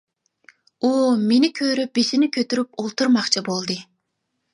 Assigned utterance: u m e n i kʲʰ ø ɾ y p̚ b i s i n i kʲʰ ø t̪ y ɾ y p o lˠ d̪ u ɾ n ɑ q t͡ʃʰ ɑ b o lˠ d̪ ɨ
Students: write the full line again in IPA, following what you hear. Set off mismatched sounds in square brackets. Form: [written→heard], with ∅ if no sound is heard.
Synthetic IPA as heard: u m e n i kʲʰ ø ɾ y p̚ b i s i n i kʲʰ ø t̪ y ɾ y p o lˠ [d̪→t̪] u ɾ [n→m] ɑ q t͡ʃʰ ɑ b o lˠ d̪ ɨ